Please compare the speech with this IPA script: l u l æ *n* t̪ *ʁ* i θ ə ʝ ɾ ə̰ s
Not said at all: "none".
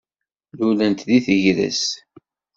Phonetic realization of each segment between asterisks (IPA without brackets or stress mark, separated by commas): n, ð